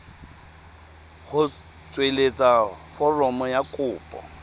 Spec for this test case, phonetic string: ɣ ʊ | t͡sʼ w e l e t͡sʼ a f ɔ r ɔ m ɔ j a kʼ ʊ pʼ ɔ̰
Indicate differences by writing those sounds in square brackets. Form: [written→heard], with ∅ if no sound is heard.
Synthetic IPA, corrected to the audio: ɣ ʊ | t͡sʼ w e l e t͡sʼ a f ɔ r ɔ m ɔ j a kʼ [ʊ→ʊː] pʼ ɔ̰